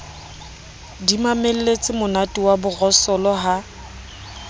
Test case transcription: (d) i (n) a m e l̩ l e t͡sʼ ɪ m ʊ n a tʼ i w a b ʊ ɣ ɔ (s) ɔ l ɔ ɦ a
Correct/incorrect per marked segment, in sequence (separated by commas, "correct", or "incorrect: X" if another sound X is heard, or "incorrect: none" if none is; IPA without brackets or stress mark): correct, incorrect: m, correct